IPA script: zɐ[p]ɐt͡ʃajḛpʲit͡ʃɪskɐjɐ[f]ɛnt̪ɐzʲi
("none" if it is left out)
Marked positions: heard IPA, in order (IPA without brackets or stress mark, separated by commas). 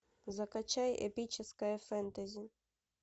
k, f